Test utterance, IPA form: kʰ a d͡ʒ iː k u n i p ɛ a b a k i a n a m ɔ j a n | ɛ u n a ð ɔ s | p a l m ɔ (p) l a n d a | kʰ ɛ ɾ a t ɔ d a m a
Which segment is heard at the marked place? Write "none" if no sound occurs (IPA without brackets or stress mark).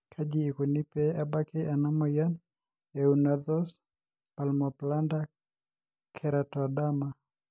p